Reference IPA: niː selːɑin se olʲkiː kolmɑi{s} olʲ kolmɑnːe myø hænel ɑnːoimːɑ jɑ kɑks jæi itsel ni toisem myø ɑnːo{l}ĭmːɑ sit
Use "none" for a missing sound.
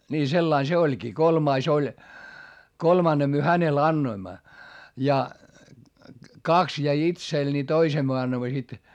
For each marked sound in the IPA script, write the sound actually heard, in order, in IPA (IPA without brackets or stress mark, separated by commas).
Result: s, none